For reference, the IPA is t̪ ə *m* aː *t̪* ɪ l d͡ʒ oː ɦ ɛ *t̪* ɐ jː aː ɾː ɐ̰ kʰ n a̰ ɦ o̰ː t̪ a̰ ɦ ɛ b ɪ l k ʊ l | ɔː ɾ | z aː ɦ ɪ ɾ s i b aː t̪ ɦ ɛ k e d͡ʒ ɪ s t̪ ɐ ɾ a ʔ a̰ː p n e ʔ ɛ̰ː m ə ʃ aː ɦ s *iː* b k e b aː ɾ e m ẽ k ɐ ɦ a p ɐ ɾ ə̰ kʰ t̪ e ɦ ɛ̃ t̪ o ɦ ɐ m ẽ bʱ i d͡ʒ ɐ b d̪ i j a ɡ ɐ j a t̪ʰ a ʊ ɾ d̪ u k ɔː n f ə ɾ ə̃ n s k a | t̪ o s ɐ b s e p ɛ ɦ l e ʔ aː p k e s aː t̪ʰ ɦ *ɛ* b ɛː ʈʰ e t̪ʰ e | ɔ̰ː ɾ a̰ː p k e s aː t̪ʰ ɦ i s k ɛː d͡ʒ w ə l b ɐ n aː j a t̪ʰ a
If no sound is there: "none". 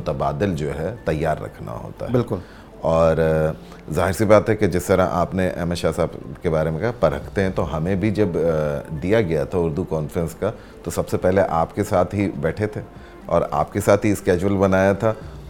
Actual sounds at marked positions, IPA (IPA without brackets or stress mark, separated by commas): b, d̪, t̪, aː, i